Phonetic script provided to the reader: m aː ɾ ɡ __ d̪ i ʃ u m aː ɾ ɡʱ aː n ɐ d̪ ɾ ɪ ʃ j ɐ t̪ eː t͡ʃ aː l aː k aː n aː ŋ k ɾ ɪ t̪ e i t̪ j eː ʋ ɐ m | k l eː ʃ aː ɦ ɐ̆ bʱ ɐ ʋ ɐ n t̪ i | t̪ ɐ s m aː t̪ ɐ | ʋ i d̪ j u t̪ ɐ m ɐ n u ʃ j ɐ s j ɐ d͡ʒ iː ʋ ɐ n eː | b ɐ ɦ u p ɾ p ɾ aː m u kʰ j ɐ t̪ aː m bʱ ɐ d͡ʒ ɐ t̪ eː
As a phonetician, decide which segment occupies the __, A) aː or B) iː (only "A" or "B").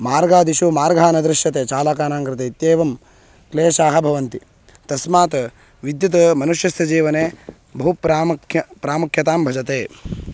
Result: A